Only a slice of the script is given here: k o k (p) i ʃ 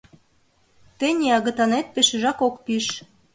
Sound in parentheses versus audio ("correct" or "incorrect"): correct